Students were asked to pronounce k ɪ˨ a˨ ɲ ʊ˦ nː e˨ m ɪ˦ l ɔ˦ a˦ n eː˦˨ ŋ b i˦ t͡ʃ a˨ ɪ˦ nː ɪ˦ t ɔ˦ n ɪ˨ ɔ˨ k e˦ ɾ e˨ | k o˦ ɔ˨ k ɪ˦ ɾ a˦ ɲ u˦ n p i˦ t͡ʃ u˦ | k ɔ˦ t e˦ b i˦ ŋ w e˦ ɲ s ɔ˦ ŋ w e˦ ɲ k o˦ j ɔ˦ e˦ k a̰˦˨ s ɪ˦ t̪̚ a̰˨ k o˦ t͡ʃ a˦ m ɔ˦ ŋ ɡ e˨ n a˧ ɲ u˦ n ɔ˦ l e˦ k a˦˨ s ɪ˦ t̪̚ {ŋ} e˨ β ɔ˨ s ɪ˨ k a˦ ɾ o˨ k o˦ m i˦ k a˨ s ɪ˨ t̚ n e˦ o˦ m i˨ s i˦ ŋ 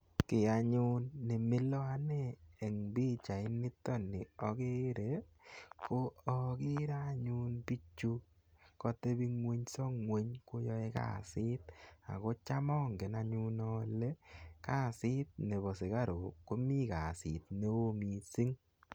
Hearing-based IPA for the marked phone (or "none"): n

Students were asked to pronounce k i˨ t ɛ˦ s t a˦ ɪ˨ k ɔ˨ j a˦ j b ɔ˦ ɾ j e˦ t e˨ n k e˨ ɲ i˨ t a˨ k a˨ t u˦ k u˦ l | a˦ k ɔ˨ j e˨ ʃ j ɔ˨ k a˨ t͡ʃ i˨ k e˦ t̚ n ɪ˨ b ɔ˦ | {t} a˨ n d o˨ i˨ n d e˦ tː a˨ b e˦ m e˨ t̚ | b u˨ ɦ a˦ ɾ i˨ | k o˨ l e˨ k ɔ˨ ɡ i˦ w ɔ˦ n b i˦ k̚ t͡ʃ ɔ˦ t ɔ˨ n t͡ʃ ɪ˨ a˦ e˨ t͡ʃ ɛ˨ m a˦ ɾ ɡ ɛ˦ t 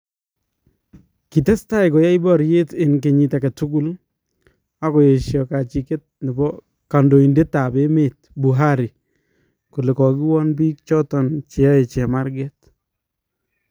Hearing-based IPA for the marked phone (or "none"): k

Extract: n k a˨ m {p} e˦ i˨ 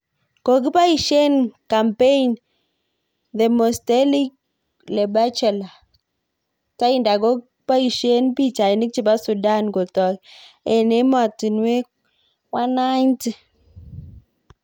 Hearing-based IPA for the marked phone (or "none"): p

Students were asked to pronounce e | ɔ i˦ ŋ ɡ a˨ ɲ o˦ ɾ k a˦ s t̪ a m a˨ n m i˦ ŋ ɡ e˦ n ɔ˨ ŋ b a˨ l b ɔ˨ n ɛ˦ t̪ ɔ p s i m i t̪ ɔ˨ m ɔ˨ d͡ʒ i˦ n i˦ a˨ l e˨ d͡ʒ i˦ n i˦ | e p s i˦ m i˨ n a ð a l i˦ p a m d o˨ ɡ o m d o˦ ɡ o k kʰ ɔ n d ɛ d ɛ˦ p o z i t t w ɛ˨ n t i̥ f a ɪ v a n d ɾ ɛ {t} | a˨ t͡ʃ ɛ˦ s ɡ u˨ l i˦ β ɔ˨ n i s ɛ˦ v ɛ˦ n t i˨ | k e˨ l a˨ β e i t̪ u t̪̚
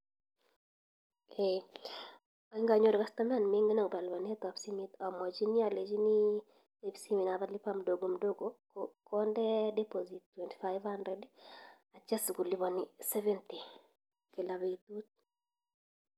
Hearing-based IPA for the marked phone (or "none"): d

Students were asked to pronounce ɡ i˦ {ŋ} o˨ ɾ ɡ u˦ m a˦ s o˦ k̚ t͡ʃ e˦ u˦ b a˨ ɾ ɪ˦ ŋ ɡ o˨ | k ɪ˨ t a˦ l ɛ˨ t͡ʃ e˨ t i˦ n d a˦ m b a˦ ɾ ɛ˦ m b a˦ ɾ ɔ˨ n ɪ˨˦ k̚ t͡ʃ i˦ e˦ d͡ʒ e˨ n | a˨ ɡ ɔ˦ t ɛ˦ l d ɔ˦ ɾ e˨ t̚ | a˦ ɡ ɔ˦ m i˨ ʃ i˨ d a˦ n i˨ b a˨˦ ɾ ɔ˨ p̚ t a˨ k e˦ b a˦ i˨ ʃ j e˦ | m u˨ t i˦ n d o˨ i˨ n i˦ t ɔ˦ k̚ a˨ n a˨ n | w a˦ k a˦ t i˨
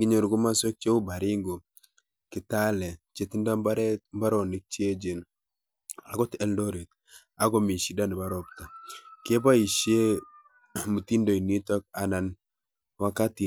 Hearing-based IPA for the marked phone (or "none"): ɲ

